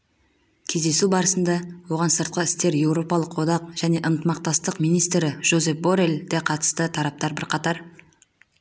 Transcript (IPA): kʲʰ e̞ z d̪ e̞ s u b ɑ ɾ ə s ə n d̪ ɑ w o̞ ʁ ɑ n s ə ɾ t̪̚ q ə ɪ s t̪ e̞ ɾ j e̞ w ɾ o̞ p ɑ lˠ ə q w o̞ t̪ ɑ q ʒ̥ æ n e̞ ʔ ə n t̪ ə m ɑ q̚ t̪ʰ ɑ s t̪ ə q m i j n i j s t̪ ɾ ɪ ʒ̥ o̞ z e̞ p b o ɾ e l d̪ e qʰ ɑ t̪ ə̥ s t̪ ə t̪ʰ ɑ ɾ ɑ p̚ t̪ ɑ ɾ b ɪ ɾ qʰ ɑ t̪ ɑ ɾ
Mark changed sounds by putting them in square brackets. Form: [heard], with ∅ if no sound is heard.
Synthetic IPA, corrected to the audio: kʲʰ e̞ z d̪ e̞ s u b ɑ ɾ ə s ə n d̪ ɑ w o̞ ʁ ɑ n s ə ɾ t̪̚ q ə ɪ s t̪ e̞ ɾ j e̞ w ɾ o̞ p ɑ lˠ ə q w o̞ [d̪] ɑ q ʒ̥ æ n e̞ ʔ ə n t̪ ə m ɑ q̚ [t̪] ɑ s t̪ ə q m i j n i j s t̪ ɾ ɪ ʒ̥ o̞ z e̞ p b o ɾ e l d̪ e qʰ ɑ t̪ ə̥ s t̪ ə t̪ʰ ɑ ɾ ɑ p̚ t̪ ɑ ɾ b ɪ ɾ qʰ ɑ t̪ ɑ ɾ